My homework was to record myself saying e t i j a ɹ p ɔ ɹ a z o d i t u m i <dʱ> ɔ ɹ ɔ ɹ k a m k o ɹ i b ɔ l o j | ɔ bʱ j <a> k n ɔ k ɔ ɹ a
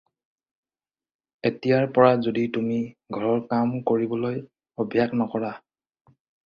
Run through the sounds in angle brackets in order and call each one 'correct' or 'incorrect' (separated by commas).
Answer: incorrect, correct